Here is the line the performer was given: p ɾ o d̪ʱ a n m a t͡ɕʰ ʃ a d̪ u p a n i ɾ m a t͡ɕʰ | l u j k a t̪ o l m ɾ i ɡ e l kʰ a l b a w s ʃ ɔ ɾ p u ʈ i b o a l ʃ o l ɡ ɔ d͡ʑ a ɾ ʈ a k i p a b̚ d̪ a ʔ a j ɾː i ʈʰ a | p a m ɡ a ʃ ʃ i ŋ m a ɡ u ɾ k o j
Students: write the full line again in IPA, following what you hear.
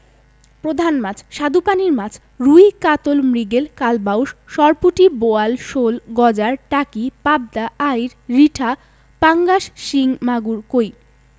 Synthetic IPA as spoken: p ɾ o d̪ʱ a n m a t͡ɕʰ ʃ a d̪ u p a n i ɾ m a t͡ɕʰ | ɾ u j k a t̪ o l m ɾ i ɡ e l k a l b a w ʃ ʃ ɔ ɾ p u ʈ i b o a l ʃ o l ɡ ɔ d͡ʑ a ɾ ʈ a k i p a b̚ d̪ a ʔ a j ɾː i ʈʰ a | p a ŋ ɡ a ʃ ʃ i ŋ m a ɡ u ɾ k o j